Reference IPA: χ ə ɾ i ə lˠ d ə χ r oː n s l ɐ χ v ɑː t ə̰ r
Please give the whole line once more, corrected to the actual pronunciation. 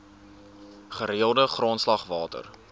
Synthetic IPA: χ ə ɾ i ə lˠ d ə χ r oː n s l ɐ χ v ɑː t ə̰ r